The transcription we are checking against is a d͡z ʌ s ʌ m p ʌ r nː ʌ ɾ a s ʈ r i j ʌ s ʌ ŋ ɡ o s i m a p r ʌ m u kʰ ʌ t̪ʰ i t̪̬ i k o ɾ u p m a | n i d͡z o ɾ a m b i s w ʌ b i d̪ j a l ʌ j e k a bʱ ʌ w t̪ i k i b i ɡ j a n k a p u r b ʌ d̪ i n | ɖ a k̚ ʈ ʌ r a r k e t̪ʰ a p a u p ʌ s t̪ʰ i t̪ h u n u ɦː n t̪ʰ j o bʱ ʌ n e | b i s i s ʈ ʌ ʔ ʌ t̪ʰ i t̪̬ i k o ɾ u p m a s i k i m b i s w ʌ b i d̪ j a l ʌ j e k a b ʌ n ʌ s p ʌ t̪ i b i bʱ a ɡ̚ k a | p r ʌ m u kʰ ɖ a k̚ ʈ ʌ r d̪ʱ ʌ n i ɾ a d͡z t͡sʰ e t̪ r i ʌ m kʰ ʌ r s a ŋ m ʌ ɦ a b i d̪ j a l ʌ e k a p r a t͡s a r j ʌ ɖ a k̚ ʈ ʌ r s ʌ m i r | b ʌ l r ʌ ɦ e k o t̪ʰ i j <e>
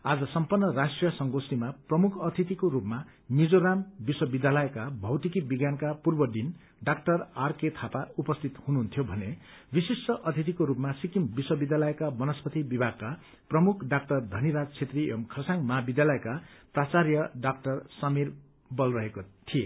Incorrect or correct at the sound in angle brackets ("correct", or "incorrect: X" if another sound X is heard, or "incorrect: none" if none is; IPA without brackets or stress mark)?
correct